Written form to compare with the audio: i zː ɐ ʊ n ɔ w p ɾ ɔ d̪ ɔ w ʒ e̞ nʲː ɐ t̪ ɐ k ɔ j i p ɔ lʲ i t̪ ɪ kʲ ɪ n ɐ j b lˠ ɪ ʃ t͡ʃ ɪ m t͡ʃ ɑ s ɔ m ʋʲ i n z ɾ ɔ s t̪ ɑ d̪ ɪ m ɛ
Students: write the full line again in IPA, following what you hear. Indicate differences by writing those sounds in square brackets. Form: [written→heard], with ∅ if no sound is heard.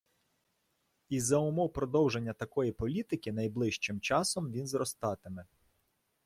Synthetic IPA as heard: i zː ɐ ʊ [n→m] ɔ w p ɾ ɔ d̪ ɔ w ʒ e̞ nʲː ɐ t̪ ɐ k ɔ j i p ɔ lʲ i t̪ ɪ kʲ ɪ n ɐ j b lˠ ɪ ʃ t͡ʃ ɪ m t͡ʃ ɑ s ɔ m ʋʲ i n z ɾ ɔ s t̪ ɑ [d̪→t̪] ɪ m ɛ